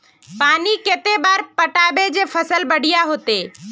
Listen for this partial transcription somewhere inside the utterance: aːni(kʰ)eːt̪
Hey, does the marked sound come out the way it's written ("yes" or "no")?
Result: no